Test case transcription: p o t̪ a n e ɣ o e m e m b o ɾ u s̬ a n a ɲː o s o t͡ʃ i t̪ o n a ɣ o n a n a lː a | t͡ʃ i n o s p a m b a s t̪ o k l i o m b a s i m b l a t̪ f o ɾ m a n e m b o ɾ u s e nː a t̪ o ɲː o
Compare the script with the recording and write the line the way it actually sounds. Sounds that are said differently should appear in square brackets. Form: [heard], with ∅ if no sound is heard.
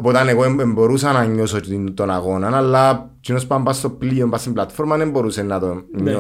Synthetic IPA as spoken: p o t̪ a n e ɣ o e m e m b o ɾ u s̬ a n a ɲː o s o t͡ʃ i t̪ o n a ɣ o n a n a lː a | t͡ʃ i n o s p a m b a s t̪ o [p] l i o m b a s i m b l a t̪ f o ɾ m a n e m b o ɾ u s e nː a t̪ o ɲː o